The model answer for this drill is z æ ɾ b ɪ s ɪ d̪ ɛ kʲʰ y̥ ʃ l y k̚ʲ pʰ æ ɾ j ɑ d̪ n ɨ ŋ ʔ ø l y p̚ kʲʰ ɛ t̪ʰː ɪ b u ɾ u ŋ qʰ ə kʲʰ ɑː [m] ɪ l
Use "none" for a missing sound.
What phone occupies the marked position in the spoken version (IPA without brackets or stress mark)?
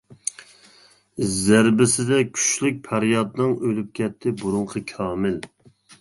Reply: m